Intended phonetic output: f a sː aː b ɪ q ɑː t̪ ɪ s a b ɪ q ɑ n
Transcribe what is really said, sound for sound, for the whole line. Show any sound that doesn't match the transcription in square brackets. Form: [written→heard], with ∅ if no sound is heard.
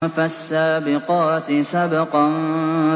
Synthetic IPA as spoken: f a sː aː b ɪ q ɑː t̪ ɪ s a b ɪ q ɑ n